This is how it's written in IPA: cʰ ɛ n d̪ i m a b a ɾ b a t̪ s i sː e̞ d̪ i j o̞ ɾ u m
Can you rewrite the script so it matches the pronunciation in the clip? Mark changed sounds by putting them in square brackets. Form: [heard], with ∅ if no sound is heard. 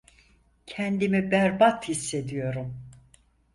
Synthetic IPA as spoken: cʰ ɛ n d̪ i m [i] b [æ] ɾ b a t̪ [h] i sː e̞ d̪ i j o̞ ɾ u m